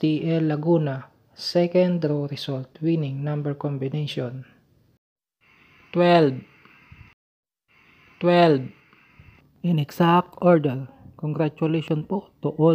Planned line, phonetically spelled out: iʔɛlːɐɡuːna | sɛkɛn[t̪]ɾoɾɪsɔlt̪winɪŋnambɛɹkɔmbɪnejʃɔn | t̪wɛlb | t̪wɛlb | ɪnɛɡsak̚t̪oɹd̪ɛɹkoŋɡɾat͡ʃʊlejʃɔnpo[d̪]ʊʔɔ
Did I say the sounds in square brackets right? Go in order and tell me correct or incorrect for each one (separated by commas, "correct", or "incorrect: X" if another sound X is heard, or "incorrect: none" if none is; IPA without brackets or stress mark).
incorrect: d̪, incorrect: t̪